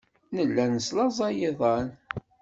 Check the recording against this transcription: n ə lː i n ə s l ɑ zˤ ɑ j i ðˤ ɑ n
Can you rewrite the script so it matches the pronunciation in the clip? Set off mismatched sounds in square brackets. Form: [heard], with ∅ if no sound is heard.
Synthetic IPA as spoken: n ə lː [æ] n ə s l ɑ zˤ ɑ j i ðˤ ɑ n